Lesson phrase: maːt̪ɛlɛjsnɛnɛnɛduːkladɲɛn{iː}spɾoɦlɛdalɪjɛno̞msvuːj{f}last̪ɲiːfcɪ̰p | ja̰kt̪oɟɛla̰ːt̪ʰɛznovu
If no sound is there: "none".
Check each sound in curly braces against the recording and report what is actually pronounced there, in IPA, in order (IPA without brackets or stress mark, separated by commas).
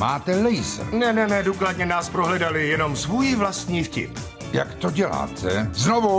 aː, v